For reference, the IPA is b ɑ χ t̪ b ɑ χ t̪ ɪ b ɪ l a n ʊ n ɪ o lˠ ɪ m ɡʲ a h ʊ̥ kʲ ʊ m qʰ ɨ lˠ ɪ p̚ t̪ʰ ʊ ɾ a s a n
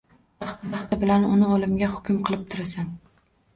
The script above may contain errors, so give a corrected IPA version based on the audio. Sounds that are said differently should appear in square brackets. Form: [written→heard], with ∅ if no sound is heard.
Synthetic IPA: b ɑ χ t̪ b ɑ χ t̪ ɪ b ɪ l a n ʊ n ɪ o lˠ ɪ m ɡʲ a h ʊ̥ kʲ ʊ m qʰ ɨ lˠ ɪ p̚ t̪ʰ ʊ ɾ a s a n